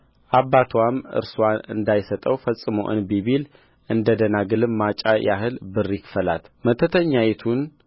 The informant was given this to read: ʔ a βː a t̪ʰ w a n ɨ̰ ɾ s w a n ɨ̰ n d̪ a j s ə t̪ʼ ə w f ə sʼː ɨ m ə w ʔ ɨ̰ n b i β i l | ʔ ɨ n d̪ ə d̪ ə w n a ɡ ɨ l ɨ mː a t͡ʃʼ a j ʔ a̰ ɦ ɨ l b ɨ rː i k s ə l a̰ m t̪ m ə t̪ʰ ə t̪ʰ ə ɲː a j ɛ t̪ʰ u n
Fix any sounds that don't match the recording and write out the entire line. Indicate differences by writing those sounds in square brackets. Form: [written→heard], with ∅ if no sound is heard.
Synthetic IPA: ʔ a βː a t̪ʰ w a [n→m] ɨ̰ ɾ s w a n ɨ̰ n d̪ a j s ə t̪ʼ ə w f ə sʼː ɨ m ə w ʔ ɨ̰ n b i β i l | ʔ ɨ n d̪ ə d̪ ə [w→∅] n a ɡ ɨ l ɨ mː a t͡ʃʼ a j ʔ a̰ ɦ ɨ l b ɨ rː i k [s→f] ə l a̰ [m→∅] t̪ m ə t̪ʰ ə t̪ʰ ə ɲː a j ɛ t̪ʰ u n